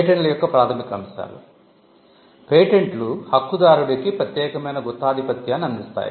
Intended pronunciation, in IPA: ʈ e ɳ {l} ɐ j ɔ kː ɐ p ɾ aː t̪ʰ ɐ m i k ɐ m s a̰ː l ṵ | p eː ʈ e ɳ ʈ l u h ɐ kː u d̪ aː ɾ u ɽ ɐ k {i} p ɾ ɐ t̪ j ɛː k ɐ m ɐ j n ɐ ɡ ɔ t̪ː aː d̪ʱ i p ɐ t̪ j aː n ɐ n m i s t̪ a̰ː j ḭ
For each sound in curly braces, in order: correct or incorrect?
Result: correct, correct

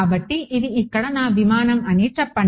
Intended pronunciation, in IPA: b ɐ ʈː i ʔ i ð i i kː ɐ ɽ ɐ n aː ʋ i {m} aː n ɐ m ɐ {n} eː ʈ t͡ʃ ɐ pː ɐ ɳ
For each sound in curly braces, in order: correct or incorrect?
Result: correct, correct

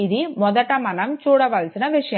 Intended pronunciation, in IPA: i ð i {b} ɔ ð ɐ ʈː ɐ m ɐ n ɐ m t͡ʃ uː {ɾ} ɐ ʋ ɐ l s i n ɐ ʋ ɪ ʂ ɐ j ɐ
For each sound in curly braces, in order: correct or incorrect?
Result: incorrect, incorrect

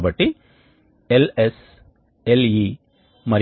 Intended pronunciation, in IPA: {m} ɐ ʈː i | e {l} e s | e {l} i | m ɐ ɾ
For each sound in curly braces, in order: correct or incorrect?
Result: incorrect, correct, correct

